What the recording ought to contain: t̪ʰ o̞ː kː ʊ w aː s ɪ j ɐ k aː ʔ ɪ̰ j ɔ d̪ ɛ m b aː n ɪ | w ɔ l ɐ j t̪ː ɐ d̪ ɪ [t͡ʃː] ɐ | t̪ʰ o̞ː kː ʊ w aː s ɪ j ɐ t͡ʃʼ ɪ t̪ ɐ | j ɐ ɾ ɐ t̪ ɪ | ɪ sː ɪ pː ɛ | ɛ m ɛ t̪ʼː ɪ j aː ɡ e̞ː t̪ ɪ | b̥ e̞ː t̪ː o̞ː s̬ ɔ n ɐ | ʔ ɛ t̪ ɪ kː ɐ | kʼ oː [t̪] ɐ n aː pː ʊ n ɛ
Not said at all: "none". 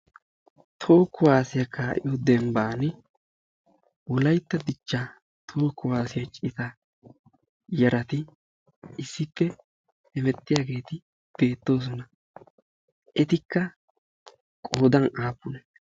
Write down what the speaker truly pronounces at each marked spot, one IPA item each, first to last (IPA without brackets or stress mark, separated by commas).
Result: t͡ʃː, d̪